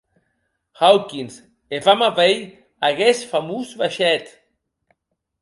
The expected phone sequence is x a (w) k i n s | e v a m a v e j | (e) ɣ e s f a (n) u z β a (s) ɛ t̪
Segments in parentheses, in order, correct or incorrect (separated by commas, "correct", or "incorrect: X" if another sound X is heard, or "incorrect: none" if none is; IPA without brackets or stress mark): correct, incorrect: a, incorrect: m, incorrect: ʃ